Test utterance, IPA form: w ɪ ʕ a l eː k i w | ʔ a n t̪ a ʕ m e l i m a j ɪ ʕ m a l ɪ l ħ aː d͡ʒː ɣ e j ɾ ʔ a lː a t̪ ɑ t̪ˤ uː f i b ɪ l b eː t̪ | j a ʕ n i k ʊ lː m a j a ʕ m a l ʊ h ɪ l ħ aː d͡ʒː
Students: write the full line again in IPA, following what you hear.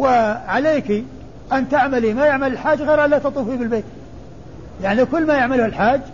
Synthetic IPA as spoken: w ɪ ʕ a l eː k i | ʔ a n t̪ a ʕ m a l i m a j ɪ ʕ m a l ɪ l ħ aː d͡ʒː ɣ e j ɾ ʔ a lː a t̪ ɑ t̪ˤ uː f i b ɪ l b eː t̪ | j a ʕ n i k ʊ lː m a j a ʕ m a l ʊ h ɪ l ħ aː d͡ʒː